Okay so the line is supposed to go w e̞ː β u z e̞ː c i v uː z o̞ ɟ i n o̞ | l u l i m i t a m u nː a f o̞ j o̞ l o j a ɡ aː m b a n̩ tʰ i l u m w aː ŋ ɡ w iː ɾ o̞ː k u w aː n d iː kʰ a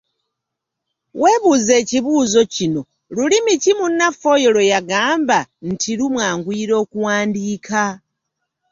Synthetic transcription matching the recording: w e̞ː β u z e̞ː c i β uː z o̞ c i n o̞ | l u l i m i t i m u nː a f o̞ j o̞ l o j a ɡ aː m b a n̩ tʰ i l u m w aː ŋ ɡ w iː ɾ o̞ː k u w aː n d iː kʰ a